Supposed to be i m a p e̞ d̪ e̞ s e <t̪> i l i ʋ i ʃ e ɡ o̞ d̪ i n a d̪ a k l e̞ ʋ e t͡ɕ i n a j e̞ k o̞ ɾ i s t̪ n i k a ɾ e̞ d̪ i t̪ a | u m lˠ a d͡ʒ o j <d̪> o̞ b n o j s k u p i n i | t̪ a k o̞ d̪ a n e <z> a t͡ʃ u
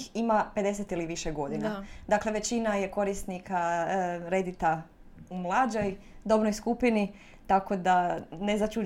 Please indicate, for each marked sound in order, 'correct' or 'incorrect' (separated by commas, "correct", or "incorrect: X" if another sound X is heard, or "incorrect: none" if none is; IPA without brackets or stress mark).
correct, correct, correct